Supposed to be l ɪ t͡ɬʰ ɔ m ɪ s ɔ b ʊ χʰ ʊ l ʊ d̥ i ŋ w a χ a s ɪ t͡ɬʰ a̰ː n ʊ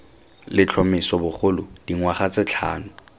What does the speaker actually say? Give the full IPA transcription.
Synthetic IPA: l ɪ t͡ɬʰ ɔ m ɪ s ɔ b ʊ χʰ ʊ l ʊ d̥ i ŋ w a χ a t͡s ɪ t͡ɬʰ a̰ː n ʊ